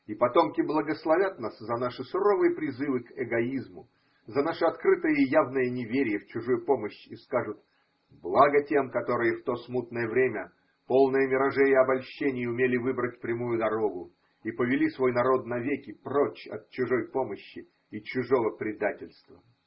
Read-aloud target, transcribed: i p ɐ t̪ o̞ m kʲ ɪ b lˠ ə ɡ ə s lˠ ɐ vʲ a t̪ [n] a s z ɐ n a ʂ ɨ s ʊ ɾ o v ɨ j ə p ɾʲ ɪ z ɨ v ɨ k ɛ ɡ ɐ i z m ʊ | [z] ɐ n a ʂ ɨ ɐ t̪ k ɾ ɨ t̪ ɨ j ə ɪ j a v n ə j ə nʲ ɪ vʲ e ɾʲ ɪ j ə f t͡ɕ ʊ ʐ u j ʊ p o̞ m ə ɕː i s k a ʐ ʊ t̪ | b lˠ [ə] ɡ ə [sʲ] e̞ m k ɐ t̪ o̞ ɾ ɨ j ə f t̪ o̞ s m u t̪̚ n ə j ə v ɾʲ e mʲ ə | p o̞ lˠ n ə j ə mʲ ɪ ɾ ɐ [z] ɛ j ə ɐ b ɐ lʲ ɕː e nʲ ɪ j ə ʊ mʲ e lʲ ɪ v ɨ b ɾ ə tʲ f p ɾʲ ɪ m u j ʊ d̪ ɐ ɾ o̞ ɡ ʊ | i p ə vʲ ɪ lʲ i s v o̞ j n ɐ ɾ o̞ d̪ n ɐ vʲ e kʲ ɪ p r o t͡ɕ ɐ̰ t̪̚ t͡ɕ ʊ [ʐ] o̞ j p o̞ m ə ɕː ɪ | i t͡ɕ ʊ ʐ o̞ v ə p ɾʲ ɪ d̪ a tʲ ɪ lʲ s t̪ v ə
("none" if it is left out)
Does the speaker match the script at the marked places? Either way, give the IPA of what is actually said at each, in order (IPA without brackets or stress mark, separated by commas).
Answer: n, z, a, tʲ, ʐ, ʐ